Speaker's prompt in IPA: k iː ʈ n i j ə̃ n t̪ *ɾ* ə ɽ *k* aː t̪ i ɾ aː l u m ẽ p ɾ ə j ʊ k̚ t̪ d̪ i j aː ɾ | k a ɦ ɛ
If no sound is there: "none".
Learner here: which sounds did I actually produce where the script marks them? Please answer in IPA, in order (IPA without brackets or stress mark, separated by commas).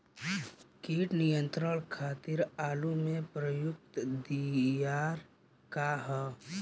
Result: ɾ, kʰ